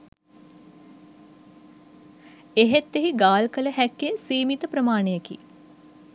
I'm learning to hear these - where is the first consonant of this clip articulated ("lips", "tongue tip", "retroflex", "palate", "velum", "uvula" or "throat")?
throat